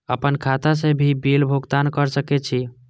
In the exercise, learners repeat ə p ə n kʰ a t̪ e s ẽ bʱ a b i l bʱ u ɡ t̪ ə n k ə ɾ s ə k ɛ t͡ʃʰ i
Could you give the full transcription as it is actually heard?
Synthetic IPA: ə p ə n kʰ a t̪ a s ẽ bʱ i b i l bʱ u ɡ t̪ a n k ə ɾ s ə k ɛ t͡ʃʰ i